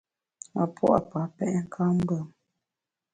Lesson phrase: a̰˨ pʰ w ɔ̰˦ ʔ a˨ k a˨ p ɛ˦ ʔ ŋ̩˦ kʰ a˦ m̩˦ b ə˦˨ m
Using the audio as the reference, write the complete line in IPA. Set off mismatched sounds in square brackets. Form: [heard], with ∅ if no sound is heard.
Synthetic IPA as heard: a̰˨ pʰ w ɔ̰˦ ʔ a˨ [p] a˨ p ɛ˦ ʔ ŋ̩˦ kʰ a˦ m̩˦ b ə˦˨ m

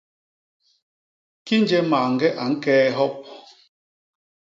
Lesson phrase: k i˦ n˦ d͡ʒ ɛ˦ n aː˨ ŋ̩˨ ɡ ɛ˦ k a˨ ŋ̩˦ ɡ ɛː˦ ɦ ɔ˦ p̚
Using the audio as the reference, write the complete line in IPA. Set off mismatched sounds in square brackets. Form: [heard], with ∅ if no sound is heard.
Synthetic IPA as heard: k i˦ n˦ d͡ʒ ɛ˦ [m] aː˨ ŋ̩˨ ɡ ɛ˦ [ʔ] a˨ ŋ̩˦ [k] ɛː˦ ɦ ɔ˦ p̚

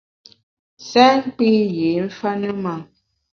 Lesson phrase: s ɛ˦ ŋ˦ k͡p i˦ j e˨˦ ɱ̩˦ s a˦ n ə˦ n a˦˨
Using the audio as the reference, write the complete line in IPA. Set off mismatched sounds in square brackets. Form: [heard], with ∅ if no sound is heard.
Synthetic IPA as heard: s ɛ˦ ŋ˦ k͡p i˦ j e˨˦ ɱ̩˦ [f] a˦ n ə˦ [m] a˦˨

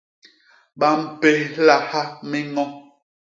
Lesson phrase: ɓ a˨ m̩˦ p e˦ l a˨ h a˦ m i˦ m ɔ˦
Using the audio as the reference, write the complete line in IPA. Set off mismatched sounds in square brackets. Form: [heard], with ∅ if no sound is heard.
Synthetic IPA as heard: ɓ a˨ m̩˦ p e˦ l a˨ h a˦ m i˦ [ŋ] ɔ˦

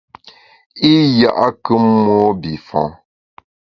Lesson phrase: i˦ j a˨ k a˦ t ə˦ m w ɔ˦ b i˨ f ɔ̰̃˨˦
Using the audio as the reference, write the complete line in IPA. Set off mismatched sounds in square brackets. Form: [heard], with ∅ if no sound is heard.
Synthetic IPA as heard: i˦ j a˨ [ʔ] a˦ [k] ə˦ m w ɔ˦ b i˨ f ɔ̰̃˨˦

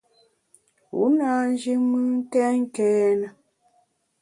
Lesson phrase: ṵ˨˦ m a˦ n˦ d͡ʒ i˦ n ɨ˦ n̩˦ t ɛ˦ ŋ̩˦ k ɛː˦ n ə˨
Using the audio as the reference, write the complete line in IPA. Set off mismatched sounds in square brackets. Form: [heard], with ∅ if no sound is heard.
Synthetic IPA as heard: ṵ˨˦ [n] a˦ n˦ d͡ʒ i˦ [m] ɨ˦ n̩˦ t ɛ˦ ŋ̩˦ k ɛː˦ n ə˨

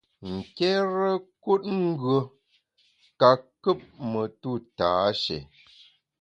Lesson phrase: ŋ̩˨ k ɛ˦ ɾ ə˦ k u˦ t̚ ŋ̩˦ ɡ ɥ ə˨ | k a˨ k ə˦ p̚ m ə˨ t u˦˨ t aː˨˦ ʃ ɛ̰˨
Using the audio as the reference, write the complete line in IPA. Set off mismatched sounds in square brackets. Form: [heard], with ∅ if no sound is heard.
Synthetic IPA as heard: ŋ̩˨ k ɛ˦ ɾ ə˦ k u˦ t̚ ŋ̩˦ ɡ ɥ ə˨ | k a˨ k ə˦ p̚ m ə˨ t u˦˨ t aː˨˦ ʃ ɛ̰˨

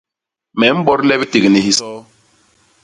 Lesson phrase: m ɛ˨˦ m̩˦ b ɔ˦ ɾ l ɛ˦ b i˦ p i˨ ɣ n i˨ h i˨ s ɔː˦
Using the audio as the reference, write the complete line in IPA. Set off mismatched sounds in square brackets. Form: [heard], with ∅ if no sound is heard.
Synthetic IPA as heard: m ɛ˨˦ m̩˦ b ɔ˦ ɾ l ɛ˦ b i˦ [t] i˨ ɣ n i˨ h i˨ s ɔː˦

